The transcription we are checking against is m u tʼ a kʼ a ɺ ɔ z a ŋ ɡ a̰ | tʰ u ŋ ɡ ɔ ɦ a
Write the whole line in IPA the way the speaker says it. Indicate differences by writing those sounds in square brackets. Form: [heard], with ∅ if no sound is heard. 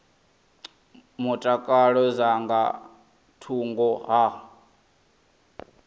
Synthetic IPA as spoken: m u tʼ a kʼ a ɺ ɔ z a ŋ ɡ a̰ | tʰ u ŋ ɡ ɔ ɦ a